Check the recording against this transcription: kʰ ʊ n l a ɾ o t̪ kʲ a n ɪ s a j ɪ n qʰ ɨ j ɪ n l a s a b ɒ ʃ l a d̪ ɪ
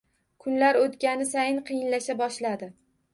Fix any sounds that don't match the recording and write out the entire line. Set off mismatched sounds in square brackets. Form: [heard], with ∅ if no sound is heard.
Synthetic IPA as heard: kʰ ʊ n l a ɾ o t̪ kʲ a n ɪ s a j ɪ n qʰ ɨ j ɪ n l a [ʃ] a b ɒ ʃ l a d̪ ɪ